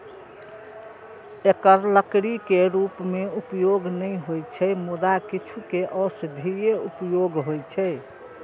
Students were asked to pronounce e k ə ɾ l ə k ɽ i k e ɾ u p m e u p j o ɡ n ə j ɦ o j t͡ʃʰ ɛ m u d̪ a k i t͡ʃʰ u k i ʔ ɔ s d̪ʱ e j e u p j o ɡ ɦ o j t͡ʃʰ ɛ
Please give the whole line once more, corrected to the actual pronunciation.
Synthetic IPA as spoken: e k ə ɾ l ə k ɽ i k e ɾ u p m e u p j o ɡ n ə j ɦ o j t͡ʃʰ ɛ m u d̪ a k i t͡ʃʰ u k e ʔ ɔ s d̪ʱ i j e u p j o ɡ ɦ o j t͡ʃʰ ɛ